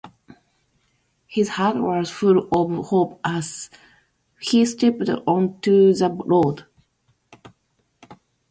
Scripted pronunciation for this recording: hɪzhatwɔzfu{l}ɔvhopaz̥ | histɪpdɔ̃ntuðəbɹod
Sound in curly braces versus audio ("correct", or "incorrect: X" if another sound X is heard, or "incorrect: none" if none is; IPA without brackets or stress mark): correct